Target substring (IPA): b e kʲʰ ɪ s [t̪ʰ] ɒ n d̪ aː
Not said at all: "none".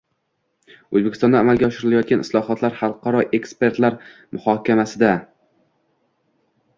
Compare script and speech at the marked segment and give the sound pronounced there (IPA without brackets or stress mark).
t̪